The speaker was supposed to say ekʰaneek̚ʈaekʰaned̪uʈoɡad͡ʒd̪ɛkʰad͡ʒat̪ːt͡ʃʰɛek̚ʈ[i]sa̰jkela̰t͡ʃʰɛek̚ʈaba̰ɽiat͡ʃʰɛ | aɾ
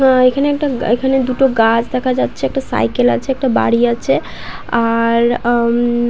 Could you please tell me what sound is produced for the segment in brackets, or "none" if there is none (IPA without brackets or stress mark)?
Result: a